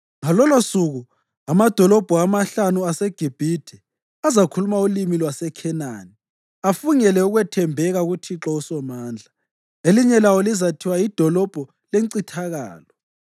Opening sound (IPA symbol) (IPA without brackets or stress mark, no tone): ŋ